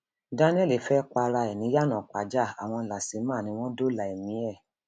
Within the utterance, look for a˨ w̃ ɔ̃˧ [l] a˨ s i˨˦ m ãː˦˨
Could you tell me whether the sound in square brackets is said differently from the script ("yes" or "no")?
no